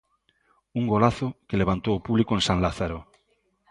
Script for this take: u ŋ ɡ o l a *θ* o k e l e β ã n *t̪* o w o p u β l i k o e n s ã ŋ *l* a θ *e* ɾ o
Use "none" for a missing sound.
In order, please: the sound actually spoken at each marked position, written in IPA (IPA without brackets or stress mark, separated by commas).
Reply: θ, t̪, l, a